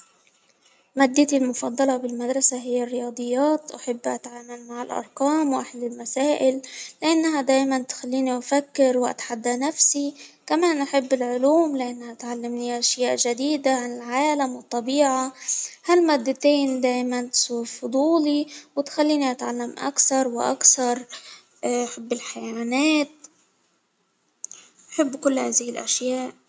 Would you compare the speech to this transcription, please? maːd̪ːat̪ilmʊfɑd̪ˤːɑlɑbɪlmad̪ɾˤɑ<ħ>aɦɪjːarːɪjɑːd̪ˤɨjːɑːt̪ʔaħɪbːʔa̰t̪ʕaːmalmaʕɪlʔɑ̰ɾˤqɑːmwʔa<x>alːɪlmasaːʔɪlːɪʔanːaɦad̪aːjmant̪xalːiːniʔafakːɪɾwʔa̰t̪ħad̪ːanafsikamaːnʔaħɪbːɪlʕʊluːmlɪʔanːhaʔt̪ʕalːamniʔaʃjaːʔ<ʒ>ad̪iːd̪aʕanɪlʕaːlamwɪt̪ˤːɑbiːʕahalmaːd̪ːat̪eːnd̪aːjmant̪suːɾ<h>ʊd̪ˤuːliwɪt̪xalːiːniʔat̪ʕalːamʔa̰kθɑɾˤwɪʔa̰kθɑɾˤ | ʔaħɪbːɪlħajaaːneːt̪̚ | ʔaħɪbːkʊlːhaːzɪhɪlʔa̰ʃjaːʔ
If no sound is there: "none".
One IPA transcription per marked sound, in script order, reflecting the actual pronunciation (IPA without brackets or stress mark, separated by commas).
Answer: s, ħ, ʒ, f